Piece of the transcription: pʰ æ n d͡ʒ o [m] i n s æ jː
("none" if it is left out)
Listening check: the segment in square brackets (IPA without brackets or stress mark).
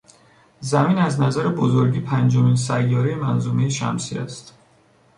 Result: m